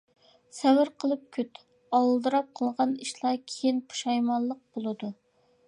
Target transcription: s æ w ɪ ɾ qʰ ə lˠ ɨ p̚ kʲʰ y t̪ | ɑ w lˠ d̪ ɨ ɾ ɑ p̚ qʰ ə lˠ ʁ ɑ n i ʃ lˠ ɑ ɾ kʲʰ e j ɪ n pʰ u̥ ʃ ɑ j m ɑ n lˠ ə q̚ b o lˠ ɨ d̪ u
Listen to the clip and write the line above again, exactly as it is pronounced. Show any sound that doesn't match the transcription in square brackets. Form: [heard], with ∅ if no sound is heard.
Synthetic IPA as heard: s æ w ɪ ɾ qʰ ə lˠ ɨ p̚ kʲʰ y t̪ | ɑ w lˠ d̪ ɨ ɾ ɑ p̚ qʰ ə lˠ ʁ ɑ n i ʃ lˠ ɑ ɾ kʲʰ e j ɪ n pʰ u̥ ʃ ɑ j m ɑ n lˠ ə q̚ b o lˠ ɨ d̪ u